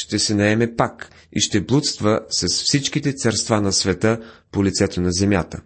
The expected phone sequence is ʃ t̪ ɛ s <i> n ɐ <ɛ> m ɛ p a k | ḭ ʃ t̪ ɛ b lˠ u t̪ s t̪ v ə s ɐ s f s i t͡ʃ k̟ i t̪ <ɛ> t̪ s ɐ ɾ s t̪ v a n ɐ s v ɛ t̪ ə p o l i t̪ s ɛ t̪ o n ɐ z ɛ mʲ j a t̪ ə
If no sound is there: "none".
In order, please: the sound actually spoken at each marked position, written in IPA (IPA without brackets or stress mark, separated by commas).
ɛ, ɛ, ɛ